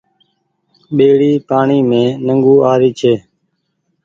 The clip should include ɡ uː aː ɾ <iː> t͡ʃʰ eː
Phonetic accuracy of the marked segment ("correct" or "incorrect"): correct